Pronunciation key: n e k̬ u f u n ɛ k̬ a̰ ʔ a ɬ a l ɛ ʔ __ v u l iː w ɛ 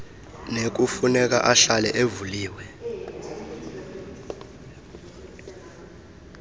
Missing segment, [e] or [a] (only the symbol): e